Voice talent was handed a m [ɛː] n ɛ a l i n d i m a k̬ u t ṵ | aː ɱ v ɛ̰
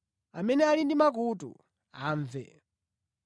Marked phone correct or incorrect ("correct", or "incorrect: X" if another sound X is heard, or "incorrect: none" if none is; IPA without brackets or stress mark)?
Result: incorrect: ɛ